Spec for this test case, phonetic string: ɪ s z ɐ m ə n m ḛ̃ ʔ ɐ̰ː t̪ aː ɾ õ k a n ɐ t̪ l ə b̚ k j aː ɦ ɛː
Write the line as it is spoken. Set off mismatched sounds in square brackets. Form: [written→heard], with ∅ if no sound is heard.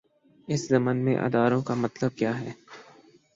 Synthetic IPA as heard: ɪ s z ɐ m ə n m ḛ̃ ʔ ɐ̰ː [t̪→d̪] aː ɾ õ k a [n→m] ɐ t̪ l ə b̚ k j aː ɦ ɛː

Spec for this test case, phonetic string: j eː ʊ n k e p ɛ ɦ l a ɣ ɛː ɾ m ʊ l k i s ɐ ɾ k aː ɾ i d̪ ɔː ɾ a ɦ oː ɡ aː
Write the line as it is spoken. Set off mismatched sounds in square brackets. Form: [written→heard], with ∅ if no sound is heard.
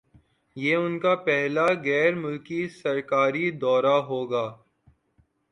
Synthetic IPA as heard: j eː ʊ n k [e→a] p ɛ ɦ l a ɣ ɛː ɾ m ʊ l k i s ɐ ɾ k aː ɾ i d̪ ɔː ɾ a ɦ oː ɡ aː

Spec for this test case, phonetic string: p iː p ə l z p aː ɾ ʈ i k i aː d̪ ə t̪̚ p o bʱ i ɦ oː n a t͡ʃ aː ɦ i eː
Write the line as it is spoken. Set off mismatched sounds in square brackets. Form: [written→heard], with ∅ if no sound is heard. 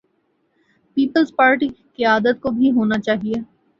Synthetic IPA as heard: p iː p ə l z p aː ɾ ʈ i k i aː d̪ ə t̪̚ [p→k] o bʱ i ɦ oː n a t͡ʃ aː ɦ i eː

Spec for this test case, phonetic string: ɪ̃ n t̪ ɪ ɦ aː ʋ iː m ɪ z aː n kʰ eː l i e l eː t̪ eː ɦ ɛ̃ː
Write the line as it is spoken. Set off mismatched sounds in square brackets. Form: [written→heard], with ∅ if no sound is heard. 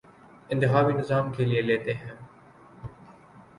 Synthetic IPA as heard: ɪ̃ n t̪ ɪ ɦ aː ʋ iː [m→n] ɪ z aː [n→m] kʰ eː l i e l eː t̪ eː ɦ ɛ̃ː

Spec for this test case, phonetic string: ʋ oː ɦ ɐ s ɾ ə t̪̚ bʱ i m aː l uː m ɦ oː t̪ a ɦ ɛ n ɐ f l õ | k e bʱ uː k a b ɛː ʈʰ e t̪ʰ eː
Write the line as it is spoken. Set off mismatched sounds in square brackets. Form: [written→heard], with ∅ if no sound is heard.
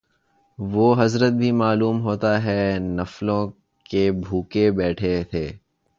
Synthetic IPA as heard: ʋ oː ɦ ɐ [s→z] ɾ ə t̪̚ bʱ i m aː l uː m ɦ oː t̪ a ɦ ɛ n ɐ f l õ | k e bʱ uː k [a→e] b ɛː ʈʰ e t̪ʰ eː

